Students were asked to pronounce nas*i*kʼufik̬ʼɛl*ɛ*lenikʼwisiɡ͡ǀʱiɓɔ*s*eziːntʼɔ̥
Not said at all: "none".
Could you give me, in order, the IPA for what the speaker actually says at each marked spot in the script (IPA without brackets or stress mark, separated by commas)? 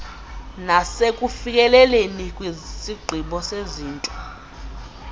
e, ɛ, s